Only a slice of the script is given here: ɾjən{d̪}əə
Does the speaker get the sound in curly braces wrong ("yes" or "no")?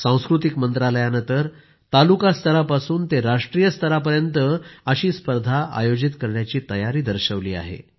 yes